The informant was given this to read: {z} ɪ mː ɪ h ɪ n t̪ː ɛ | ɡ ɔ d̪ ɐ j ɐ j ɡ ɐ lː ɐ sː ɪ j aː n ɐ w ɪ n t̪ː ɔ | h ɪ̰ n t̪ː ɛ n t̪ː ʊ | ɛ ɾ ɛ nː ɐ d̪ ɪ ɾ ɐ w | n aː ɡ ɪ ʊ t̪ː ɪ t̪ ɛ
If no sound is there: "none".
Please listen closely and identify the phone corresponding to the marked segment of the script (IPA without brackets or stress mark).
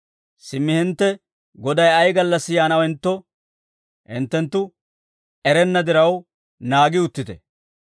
s